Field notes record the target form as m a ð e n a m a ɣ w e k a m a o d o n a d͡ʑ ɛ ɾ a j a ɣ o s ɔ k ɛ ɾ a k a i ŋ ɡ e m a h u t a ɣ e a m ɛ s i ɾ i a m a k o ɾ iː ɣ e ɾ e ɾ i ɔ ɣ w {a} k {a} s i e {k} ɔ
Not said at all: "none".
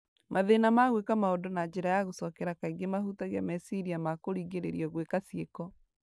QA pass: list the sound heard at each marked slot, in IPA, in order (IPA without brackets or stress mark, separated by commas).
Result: e, a, k